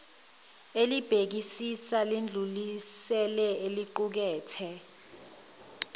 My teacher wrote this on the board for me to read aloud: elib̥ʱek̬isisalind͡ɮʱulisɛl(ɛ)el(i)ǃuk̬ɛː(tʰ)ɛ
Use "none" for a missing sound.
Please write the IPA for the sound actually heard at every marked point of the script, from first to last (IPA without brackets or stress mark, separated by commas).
ɛ, i, tʰ